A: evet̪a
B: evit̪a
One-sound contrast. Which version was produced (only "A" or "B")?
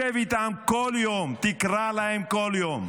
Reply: B